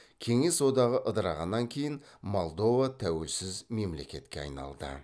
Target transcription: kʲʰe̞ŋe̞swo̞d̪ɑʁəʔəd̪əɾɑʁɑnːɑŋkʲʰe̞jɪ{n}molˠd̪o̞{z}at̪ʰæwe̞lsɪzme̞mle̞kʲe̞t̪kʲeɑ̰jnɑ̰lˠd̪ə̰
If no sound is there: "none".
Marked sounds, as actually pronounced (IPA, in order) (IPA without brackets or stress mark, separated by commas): n, v